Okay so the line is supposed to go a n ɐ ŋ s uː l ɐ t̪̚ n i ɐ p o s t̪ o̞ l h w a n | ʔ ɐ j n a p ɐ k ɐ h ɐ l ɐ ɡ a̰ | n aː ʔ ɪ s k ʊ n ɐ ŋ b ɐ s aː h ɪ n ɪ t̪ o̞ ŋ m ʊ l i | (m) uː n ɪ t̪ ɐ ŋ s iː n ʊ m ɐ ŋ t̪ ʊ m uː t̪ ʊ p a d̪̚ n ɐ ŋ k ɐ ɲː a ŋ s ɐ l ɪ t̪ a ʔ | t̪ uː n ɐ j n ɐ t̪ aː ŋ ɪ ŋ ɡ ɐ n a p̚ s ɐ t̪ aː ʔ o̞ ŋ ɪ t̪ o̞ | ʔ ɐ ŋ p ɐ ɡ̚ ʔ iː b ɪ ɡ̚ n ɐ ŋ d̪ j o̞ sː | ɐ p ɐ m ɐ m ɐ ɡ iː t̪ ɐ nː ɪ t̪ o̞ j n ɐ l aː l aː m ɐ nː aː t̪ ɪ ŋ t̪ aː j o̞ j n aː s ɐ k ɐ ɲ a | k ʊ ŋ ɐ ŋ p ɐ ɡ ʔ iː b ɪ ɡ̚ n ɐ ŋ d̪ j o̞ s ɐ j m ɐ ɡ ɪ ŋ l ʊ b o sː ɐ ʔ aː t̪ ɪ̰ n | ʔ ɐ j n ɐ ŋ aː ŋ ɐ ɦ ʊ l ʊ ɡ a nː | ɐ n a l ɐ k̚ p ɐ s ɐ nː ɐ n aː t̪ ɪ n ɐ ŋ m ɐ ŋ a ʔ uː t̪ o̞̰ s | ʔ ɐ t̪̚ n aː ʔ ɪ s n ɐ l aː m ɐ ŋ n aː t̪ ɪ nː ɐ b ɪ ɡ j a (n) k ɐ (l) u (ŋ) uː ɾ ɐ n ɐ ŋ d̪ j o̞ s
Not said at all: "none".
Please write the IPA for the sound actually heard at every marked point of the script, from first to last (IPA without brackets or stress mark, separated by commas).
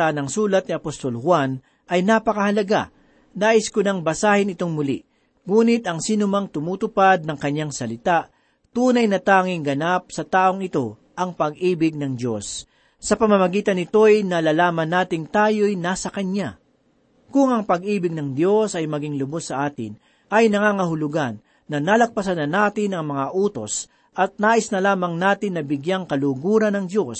ŋ, ŋ, l, ɡ